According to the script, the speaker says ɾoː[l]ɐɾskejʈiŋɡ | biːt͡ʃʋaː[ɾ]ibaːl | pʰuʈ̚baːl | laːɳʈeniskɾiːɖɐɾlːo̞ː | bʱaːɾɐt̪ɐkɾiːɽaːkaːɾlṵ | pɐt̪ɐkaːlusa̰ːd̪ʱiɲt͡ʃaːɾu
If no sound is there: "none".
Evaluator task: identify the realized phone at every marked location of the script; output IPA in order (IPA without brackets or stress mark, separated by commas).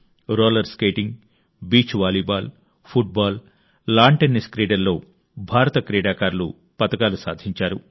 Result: l, l